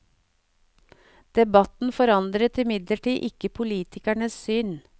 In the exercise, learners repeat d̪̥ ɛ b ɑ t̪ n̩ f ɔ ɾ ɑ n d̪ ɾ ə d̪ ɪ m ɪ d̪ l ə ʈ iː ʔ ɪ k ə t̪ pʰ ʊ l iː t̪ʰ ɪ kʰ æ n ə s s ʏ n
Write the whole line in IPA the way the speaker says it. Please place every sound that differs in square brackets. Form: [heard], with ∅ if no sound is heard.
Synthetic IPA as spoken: d̪̥ ɛ b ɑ t̪ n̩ f ɔ ɾ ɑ n d̪ ɾ ə [t̪] ɪ m ɪ d̪ l ə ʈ iː ʔ ɪ k ə [∅] pʰ ʊ l iː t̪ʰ ɪ [k] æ [ɳ] ə s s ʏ n